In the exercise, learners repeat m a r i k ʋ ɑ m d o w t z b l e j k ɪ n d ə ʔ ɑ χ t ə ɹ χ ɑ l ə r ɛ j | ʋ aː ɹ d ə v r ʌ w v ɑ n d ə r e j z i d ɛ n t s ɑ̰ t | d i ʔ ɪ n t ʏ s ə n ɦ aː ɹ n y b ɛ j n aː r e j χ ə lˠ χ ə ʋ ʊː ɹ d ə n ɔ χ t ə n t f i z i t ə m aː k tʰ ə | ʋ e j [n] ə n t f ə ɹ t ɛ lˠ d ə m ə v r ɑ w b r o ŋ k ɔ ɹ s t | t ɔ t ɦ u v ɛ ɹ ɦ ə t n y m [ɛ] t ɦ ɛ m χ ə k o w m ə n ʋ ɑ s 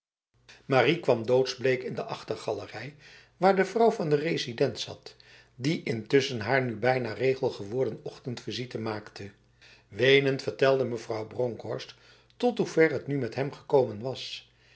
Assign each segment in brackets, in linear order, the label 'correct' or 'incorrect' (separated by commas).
correct, correct